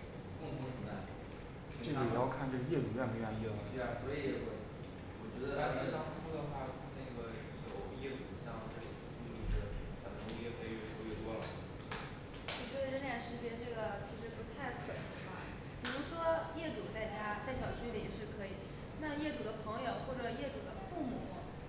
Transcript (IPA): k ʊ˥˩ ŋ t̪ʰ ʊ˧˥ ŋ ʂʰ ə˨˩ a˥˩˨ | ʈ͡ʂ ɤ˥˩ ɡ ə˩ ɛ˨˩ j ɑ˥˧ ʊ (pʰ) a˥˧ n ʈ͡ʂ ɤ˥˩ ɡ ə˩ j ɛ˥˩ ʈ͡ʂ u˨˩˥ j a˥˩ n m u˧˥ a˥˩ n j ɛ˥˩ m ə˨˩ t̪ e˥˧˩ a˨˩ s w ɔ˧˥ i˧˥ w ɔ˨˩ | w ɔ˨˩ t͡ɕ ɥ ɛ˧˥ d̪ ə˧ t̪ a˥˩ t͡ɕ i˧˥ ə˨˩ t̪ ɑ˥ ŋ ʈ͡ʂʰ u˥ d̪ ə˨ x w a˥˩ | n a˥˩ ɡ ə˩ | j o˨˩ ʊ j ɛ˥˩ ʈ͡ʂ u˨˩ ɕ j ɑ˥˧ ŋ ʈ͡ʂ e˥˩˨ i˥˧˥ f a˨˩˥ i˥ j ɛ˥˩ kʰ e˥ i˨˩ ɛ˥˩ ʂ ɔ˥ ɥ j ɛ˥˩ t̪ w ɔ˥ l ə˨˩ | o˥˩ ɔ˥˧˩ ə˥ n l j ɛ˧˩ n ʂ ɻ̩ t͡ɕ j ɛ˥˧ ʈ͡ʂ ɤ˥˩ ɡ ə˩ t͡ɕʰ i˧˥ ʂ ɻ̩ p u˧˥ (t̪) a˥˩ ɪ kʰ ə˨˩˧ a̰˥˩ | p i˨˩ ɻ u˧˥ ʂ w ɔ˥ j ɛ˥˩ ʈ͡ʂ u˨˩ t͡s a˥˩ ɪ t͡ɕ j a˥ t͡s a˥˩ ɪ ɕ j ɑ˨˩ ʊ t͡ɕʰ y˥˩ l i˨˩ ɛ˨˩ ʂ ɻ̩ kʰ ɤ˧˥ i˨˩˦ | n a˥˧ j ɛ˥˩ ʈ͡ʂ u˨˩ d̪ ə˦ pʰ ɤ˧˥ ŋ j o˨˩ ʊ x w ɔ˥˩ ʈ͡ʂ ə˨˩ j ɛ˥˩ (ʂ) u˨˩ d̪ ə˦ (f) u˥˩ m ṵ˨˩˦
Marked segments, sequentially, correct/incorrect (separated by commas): incorrect, incorrect, incorrect, correct